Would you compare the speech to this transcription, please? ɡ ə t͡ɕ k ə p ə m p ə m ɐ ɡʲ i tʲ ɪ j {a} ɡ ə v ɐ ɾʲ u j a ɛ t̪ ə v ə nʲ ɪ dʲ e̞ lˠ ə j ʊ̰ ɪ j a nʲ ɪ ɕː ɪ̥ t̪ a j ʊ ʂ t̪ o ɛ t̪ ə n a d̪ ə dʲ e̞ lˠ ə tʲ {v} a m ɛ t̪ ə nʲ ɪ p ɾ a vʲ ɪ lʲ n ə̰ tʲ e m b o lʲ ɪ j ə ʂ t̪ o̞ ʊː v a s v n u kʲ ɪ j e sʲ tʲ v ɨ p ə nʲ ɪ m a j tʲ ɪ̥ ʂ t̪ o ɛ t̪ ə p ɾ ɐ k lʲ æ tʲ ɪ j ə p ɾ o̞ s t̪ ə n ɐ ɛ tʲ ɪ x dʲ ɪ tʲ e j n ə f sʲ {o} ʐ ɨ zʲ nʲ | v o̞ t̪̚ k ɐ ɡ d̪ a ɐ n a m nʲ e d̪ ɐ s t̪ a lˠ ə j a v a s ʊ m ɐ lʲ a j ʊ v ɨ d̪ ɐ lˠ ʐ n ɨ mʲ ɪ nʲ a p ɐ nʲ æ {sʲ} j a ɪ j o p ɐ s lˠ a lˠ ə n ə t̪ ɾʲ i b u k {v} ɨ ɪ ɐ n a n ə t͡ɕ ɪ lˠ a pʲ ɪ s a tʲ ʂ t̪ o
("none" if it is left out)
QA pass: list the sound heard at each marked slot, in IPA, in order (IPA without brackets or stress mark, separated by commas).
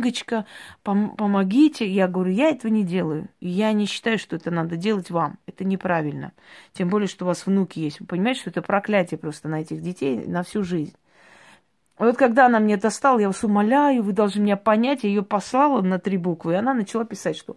a, v, u, tʲ, v